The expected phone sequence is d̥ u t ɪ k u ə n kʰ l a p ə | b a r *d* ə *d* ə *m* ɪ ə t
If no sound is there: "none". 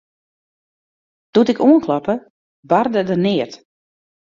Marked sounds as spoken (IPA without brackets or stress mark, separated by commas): d, d, n